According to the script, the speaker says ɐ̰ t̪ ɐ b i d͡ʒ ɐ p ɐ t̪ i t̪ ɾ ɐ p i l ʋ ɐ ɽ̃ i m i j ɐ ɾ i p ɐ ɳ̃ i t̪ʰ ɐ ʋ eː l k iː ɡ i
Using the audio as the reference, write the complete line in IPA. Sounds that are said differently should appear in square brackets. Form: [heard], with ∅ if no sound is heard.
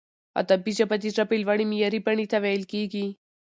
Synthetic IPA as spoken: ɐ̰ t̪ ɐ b i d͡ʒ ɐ p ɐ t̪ i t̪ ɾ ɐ p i l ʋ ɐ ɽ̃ i m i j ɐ ɾ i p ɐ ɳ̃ i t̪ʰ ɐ ʋ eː l k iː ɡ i